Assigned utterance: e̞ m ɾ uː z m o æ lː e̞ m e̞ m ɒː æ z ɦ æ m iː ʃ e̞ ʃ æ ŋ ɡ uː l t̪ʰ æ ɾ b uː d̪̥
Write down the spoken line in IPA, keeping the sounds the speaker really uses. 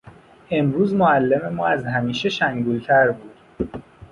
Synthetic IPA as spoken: e̞ m ɾ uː z m o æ lː e̞ m e̞ m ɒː æ z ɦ æ m iː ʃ e̞ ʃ æ ŋ ɡ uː l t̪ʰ æ ɾ b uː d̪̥